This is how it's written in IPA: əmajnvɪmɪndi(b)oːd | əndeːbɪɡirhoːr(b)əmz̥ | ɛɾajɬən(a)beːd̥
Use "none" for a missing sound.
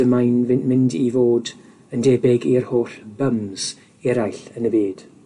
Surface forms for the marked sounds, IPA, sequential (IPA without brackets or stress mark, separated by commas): v, b, ə